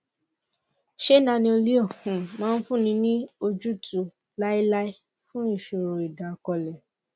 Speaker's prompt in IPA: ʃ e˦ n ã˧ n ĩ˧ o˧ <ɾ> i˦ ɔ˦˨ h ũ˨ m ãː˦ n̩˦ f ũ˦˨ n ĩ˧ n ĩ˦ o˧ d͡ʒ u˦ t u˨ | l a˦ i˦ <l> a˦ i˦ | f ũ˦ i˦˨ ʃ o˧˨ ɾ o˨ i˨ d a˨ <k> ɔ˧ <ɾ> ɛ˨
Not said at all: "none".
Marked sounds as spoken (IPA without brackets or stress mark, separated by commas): l, l, k, l